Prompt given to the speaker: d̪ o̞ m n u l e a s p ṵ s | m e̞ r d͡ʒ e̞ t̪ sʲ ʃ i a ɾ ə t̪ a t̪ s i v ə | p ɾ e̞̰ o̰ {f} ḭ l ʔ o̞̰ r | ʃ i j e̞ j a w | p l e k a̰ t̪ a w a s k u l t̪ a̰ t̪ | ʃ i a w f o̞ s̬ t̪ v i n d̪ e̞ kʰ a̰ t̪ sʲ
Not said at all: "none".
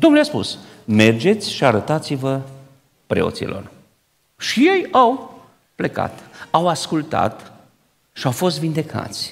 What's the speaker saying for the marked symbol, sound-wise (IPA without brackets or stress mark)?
s